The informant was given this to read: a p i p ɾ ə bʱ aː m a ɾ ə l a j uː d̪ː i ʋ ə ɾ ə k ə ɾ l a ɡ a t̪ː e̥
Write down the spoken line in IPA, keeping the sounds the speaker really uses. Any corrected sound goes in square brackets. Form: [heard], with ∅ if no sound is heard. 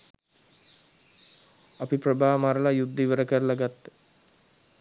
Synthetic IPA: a p i p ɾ ə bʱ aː m a ɾ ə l a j [u] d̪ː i ʋ ə ɾ ə k ə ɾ l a ɡ a t̪ː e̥